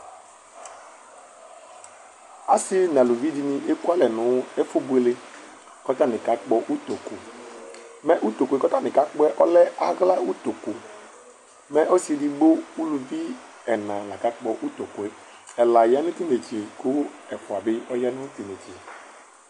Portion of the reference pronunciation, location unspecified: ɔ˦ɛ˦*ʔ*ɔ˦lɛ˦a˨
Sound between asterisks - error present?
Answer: no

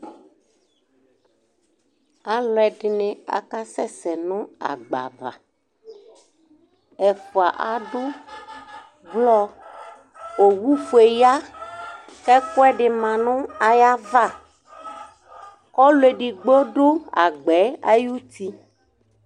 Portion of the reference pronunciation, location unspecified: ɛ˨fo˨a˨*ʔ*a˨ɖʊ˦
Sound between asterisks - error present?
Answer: no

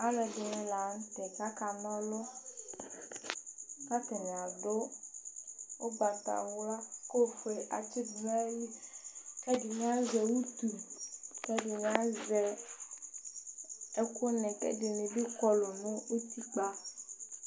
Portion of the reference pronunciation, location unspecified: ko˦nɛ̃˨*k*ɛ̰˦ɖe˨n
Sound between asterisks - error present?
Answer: no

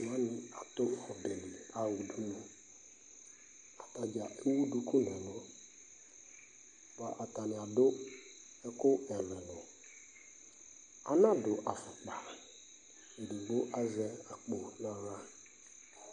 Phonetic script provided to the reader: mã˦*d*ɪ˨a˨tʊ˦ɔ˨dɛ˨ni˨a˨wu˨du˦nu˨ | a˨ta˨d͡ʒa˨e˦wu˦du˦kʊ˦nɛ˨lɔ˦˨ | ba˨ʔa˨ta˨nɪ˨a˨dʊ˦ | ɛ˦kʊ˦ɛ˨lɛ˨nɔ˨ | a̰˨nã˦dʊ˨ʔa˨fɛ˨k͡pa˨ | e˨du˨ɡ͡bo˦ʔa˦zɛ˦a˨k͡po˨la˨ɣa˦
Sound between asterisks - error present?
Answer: yes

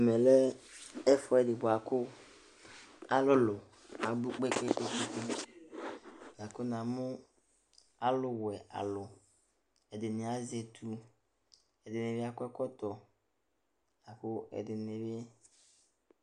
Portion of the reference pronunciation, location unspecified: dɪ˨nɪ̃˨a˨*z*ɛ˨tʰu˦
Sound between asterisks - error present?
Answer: no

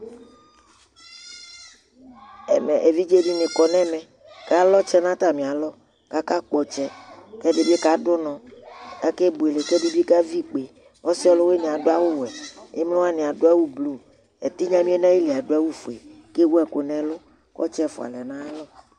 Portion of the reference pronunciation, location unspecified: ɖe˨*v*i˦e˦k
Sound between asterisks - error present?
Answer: yes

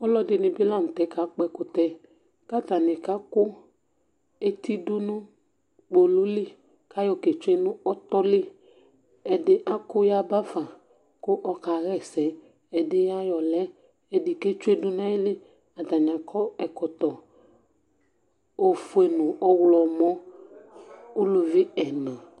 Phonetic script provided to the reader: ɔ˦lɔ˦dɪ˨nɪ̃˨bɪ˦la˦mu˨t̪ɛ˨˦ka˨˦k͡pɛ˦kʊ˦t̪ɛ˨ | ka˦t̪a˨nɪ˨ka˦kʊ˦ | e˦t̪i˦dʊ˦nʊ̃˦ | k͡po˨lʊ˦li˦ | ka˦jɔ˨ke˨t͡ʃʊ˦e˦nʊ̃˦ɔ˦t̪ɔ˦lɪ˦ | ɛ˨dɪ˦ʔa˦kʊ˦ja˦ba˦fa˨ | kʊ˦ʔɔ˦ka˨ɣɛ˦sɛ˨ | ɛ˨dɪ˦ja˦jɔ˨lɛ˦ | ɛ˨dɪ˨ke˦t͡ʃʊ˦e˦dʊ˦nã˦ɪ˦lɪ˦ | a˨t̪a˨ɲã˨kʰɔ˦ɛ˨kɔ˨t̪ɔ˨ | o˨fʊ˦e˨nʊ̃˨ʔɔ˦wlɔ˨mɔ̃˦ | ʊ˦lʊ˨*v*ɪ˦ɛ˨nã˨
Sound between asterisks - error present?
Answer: no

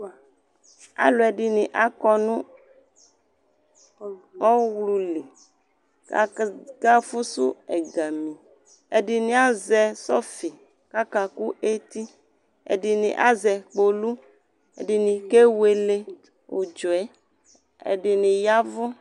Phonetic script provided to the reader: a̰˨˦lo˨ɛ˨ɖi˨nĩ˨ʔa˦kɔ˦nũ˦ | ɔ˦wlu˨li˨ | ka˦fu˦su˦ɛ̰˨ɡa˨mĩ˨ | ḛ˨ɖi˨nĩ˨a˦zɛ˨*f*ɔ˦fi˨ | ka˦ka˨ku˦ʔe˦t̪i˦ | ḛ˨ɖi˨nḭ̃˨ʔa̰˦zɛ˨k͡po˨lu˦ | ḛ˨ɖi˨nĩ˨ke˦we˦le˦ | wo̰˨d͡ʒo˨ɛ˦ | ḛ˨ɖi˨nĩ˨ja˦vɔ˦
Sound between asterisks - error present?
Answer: yes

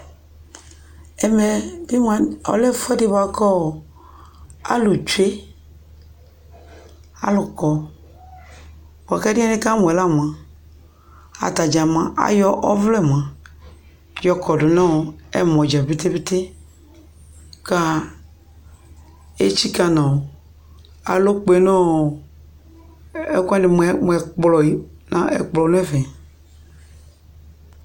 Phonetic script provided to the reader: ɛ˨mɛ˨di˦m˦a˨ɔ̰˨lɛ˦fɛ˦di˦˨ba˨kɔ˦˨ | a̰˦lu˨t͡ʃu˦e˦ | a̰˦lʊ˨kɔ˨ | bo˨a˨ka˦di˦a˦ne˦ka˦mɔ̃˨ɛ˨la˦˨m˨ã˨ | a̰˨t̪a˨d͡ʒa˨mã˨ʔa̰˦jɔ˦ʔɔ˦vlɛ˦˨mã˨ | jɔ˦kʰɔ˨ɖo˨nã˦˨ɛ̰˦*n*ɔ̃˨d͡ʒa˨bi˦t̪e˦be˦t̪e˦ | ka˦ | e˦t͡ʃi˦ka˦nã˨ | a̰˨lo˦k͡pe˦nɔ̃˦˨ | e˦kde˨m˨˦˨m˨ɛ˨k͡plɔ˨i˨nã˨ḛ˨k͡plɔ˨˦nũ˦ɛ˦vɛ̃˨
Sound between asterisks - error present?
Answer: yes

